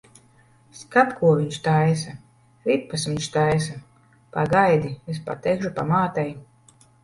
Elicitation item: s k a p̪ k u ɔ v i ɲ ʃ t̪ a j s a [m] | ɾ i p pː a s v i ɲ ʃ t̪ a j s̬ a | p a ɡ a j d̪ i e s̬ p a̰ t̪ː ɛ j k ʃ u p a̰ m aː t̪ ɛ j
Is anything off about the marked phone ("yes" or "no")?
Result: yes